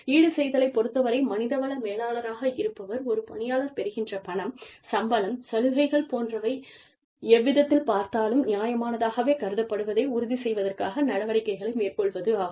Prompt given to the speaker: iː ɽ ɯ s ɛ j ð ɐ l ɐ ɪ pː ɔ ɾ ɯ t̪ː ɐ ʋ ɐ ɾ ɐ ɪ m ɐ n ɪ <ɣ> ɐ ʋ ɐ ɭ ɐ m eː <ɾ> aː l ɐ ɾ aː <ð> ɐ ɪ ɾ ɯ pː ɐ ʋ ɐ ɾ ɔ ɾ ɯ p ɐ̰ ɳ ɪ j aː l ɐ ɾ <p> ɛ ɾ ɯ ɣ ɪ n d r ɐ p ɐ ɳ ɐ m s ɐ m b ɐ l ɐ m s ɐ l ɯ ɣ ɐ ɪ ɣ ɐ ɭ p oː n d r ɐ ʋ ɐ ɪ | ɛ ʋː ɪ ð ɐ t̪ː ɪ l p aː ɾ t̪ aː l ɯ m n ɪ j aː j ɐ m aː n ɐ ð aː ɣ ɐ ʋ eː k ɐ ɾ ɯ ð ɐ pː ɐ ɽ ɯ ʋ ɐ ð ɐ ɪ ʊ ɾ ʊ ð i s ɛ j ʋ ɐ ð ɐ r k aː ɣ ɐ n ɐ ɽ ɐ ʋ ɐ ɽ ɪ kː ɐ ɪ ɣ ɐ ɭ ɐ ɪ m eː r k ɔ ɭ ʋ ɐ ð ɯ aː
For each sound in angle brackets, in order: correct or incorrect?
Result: incorrect, incorrect, incorrect, correct

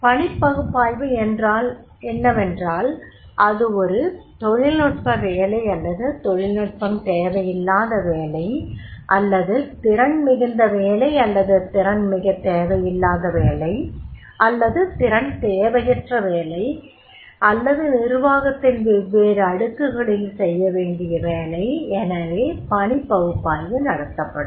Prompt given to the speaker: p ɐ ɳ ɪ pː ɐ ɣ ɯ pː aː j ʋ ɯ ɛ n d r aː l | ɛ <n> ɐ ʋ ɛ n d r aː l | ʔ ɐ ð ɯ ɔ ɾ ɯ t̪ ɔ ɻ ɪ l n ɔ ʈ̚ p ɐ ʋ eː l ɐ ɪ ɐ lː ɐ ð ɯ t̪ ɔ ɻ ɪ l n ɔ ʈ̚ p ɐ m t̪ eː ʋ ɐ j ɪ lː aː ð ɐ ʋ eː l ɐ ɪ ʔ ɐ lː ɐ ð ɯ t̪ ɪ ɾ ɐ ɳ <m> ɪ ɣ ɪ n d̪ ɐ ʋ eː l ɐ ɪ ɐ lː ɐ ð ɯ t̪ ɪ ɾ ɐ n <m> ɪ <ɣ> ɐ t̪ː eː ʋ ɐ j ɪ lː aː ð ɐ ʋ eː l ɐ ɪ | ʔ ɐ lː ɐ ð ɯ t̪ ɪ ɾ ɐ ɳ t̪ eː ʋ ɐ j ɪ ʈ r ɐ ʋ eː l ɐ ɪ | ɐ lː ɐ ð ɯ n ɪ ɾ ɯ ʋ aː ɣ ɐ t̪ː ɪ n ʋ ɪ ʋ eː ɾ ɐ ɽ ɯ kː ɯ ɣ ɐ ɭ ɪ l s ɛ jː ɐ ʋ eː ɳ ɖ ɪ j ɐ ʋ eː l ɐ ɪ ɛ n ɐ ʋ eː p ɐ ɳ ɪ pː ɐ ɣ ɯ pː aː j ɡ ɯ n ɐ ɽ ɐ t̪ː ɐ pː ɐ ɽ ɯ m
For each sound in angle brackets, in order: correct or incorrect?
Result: incorrect, correct, correct, correct

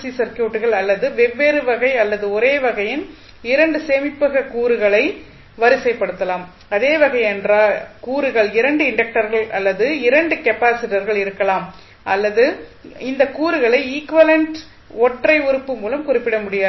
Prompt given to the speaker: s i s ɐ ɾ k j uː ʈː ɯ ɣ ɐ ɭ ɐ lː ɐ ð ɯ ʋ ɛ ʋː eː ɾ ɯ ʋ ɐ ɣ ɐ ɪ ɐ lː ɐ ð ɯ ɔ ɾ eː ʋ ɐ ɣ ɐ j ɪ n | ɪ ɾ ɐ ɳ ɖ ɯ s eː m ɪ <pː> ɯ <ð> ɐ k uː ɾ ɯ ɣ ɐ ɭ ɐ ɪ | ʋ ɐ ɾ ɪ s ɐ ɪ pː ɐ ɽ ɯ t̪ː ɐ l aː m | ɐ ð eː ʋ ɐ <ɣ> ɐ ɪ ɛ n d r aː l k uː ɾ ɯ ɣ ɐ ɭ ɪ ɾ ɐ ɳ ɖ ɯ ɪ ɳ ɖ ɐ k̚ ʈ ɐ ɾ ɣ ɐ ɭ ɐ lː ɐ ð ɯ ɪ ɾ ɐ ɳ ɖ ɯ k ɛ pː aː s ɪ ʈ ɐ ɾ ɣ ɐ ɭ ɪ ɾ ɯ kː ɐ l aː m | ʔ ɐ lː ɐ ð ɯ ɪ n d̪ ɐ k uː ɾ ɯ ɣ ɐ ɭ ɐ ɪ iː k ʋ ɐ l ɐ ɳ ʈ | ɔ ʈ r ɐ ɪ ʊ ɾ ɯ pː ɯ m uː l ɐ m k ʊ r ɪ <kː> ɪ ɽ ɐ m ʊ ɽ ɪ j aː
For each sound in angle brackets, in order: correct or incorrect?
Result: correct, incorrect, correct, incorrect

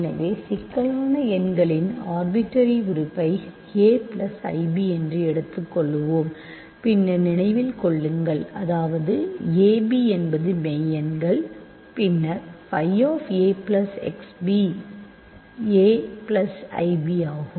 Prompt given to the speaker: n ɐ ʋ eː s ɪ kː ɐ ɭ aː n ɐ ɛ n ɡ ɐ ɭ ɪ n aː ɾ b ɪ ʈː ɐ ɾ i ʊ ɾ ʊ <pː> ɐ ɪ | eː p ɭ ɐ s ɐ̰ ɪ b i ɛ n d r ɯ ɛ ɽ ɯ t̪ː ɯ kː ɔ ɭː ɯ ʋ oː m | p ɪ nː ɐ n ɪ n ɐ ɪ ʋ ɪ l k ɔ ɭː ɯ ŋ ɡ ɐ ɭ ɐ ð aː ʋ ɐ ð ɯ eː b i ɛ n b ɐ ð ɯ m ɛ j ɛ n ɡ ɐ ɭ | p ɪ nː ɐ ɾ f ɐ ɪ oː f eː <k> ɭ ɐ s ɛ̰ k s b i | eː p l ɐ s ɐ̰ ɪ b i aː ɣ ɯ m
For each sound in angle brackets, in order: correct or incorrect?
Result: correct, incorrect

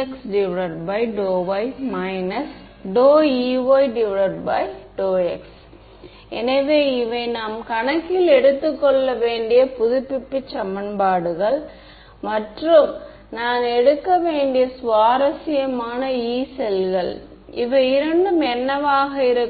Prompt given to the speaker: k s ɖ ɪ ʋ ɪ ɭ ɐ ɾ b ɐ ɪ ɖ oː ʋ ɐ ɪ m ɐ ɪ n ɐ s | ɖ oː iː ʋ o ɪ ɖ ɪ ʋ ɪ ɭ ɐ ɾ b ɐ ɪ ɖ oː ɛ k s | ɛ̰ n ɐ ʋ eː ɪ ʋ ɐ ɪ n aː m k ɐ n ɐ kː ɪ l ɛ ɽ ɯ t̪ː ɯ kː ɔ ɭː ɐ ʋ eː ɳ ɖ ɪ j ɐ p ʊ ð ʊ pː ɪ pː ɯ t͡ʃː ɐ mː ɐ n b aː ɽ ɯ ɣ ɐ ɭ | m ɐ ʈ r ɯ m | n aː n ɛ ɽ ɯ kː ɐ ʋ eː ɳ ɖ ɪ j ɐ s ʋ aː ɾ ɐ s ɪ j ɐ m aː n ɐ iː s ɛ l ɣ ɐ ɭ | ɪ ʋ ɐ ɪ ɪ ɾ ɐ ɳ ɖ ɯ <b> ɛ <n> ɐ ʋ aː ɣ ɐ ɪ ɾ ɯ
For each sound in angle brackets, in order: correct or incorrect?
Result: incorrect, incorrect

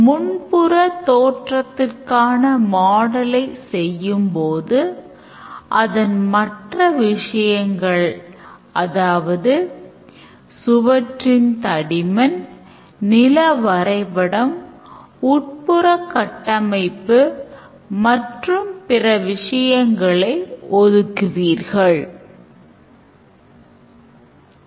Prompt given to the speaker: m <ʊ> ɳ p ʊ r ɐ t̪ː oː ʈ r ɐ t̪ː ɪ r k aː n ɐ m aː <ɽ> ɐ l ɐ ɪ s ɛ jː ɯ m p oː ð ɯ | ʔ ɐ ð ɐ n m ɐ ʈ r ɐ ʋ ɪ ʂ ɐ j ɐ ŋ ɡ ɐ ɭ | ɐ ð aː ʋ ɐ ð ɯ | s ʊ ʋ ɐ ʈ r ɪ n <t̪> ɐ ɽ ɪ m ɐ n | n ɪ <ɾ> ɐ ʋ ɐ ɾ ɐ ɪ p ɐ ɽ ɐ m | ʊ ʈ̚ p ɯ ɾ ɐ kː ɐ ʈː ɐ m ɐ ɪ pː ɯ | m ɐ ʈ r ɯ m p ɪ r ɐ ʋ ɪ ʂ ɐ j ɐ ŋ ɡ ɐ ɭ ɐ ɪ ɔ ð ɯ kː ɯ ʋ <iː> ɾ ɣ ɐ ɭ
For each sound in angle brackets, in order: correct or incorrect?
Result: correct, correct, correct, incorrect, correct

